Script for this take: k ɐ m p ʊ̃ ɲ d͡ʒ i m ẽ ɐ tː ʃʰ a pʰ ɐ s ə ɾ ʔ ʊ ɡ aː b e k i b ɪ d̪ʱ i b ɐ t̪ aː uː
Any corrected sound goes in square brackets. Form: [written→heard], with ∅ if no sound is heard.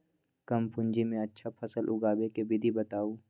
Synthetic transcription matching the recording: k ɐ m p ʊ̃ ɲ d͡ʒ i m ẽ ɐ tː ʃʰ a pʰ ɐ s ə [ɾ→l] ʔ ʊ ɡ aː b e k [i→e] b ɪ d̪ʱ i b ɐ t̪ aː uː